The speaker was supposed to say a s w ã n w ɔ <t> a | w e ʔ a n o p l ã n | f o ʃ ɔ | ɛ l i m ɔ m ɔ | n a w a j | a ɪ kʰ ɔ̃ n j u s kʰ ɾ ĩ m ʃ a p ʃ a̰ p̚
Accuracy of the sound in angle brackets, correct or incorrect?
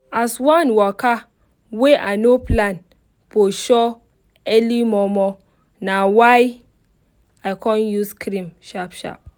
incorrect: k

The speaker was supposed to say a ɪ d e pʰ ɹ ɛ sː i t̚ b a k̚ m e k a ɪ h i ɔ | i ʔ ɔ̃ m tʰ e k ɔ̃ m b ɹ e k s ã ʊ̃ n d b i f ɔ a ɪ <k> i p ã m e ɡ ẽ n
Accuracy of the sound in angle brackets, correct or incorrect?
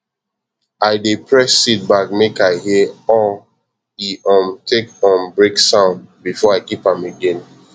correct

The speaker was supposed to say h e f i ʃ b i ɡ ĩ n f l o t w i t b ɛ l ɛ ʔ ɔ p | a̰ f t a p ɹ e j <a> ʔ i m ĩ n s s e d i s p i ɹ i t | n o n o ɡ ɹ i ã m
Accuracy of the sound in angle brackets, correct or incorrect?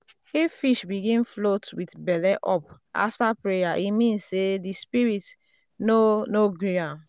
correct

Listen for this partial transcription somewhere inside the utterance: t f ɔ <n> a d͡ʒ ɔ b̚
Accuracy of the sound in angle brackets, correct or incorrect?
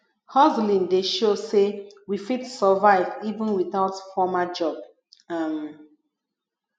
incorrect: m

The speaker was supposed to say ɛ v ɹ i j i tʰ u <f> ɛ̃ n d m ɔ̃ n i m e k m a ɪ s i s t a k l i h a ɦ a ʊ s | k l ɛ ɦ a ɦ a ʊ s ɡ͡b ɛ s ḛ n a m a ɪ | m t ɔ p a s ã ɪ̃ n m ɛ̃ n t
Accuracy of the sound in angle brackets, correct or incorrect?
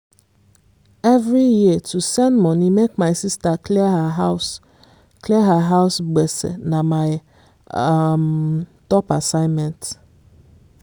incorrect: s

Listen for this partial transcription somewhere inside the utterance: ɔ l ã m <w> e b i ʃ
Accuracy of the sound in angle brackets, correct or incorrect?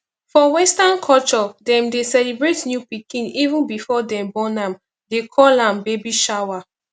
incorrect: b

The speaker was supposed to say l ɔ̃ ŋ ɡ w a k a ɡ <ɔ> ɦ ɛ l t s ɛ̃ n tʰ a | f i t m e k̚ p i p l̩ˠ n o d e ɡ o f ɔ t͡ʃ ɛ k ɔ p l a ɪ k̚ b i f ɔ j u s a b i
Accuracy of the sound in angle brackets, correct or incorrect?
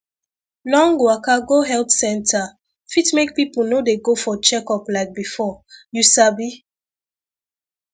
incorrect: o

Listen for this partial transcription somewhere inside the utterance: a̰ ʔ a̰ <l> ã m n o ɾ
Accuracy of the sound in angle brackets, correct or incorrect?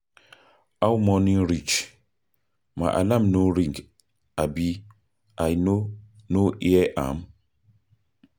correct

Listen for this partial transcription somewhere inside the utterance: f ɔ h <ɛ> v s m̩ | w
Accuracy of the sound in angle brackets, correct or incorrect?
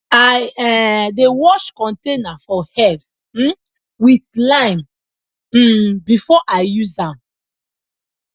correct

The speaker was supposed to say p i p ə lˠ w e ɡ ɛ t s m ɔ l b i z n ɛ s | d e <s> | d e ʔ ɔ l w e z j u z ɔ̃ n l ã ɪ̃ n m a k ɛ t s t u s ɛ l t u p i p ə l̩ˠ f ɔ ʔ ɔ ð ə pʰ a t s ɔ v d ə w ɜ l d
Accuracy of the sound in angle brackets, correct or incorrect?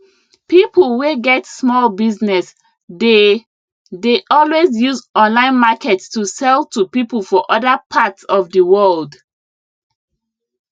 incorrect: none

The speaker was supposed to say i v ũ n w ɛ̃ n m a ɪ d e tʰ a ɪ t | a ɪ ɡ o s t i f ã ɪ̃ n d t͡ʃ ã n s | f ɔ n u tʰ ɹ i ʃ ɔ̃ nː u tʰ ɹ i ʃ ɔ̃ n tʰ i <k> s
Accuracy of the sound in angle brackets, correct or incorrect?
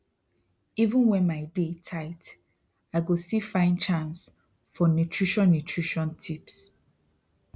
incorrect: p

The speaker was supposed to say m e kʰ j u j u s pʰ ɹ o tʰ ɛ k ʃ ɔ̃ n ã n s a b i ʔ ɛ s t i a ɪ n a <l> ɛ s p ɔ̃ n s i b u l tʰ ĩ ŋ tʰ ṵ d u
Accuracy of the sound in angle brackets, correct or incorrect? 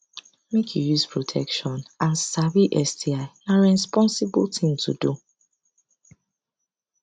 incorrect: ɹ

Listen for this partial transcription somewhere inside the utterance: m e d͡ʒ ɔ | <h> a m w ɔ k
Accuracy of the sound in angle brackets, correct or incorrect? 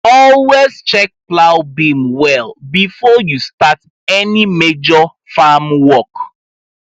incorrect: f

